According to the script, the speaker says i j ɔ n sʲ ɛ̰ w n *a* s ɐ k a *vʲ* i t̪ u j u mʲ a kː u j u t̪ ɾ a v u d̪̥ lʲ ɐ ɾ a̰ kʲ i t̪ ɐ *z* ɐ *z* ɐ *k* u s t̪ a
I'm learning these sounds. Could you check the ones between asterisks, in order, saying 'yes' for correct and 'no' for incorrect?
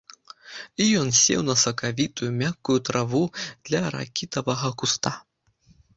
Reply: no, yes, no, no, yes

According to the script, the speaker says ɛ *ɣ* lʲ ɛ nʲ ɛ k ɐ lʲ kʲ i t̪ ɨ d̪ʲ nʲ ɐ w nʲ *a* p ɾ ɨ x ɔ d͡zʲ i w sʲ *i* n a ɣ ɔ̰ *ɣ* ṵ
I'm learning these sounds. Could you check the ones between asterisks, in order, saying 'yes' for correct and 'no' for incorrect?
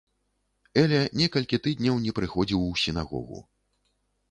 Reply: no, no, yes, yes

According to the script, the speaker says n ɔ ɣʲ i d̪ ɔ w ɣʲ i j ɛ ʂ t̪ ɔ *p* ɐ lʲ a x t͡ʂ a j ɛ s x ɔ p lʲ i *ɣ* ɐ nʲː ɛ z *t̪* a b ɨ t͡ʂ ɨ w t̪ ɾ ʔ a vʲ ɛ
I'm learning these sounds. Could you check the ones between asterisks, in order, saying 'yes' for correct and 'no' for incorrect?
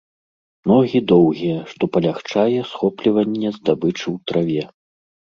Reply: yes, no, no

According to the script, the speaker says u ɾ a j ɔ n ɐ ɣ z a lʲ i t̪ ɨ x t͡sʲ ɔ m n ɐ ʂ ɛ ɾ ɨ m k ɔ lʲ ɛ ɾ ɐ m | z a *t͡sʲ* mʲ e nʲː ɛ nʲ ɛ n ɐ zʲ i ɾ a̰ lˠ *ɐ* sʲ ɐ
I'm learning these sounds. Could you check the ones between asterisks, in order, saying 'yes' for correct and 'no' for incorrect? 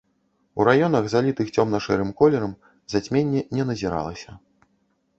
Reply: yes, yes

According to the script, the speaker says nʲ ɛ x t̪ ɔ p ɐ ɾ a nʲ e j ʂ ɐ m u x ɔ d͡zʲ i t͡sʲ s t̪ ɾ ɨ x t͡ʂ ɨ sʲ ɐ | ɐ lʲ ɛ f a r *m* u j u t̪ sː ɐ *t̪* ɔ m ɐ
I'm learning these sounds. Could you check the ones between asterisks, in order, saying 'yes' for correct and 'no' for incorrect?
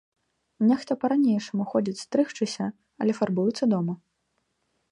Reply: no, no

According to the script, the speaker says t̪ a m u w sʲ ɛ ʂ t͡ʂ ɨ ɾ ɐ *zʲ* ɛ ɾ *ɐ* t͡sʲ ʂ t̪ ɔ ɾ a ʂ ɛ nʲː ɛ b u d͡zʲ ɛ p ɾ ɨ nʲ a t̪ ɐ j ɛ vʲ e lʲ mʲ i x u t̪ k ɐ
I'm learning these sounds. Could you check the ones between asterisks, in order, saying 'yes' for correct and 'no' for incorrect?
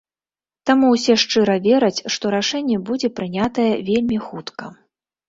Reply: no, yes

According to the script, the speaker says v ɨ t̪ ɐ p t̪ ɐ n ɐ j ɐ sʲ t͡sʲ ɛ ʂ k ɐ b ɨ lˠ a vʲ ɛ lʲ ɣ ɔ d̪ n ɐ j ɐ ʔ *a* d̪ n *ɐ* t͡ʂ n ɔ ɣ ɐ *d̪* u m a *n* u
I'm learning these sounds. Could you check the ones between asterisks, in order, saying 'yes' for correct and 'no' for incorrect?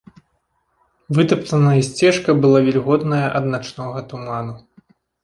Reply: no, no, no, yes

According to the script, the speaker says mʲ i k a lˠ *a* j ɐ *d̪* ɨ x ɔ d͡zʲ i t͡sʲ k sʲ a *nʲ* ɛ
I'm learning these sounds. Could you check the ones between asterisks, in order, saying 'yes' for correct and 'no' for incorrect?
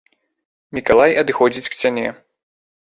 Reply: yes, yes, yes

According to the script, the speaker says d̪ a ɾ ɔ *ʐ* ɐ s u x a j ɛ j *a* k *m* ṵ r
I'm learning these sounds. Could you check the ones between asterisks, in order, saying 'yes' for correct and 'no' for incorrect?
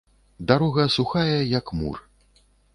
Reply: no, no, yes

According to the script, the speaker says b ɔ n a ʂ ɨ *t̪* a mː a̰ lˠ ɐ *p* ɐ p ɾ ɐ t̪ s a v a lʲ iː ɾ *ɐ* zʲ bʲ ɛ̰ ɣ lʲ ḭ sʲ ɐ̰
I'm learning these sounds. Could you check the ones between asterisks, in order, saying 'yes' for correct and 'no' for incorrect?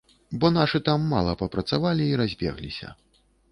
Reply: yes, yes, no

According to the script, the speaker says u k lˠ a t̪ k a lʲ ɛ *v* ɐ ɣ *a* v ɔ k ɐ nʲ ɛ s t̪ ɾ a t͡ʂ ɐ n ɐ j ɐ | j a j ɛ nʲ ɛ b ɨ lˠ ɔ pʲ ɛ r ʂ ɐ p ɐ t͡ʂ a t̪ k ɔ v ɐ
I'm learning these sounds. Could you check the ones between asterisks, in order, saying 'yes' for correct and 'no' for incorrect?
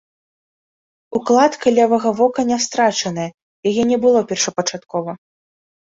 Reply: yes, no

